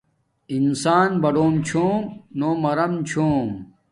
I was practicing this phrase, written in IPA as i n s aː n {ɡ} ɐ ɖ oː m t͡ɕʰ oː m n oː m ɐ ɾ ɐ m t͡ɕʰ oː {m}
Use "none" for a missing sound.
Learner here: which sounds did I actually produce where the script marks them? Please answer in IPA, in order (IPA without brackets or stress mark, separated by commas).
b, m